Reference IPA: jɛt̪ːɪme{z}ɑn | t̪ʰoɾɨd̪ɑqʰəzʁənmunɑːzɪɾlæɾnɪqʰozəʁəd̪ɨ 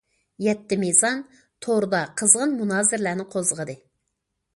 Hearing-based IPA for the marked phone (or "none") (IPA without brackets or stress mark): z